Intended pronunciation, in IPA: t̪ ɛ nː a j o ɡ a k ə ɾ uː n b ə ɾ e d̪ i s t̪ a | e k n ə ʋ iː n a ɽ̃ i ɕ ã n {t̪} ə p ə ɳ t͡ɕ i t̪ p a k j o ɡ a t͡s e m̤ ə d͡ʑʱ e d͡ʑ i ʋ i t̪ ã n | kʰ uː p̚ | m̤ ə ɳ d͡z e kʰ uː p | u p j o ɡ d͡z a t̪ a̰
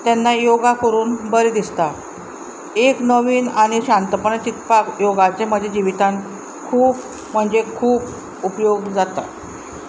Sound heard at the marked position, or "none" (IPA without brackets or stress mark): t̪